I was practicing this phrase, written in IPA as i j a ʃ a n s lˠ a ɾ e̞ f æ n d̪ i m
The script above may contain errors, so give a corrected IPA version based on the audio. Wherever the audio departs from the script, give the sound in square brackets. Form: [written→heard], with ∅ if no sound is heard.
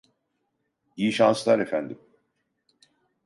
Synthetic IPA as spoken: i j [a→i] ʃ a n s lˠ a ɾ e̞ f æ n d̪ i m